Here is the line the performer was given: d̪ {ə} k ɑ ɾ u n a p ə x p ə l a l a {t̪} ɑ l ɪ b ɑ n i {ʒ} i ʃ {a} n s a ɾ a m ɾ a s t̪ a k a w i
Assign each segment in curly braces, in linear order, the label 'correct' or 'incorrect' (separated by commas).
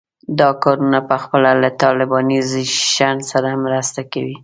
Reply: incorrect, correct, incorrect, correct